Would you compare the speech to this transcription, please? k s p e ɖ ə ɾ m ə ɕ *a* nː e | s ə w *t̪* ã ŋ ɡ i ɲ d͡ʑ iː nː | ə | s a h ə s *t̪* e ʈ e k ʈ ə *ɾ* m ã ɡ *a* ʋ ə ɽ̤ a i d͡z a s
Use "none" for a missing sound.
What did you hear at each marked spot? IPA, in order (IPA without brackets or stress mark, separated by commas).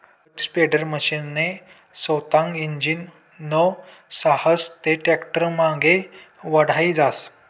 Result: i, t̪, t̪, ɾ, e